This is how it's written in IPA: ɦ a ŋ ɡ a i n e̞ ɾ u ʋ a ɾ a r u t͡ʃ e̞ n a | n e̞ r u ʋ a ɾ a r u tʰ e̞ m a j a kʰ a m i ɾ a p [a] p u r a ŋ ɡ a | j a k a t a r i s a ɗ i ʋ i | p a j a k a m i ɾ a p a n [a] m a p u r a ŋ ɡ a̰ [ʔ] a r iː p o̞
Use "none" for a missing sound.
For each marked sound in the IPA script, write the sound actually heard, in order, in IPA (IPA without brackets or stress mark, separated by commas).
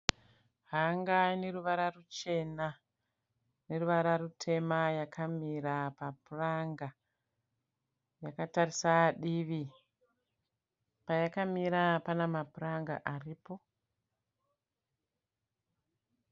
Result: a, a, ʔ